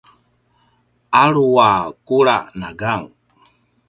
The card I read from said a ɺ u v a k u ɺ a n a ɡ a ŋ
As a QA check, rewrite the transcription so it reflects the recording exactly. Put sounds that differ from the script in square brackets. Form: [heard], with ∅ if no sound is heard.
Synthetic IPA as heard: a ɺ u [w] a k u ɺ a n a ɡ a ŋ